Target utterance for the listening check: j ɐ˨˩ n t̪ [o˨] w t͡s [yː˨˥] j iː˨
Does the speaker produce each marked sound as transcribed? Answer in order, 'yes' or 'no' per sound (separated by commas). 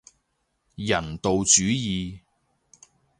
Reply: yes, yes